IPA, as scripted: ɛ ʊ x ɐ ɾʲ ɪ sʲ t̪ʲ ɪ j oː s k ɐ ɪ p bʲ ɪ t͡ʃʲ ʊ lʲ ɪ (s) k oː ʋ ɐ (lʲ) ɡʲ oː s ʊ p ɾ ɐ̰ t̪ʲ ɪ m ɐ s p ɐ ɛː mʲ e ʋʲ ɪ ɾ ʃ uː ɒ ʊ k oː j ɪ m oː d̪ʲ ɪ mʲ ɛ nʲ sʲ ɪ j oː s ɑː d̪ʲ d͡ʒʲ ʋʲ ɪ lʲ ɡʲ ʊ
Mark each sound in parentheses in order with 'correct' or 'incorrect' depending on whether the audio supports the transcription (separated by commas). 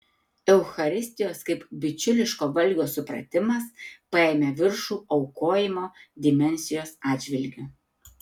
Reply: incorrect, correct